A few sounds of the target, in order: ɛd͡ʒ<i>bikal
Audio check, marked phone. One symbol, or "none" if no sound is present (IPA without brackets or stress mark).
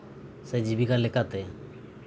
i